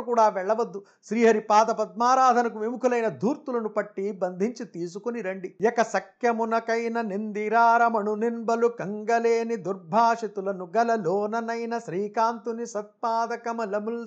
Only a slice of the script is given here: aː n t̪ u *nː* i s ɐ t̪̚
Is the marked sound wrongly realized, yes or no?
yes